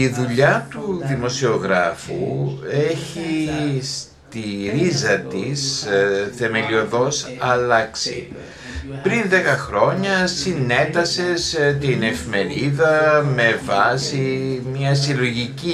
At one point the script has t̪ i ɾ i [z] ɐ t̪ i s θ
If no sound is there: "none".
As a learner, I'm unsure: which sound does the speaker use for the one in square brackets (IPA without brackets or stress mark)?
z